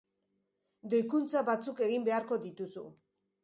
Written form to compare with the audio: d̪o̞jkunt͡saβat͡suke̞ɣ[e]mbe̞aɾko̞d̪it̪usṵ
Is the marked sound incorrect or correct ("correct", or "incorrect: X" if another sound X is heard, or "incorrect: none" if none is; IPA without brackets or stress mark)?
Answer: incorrect: i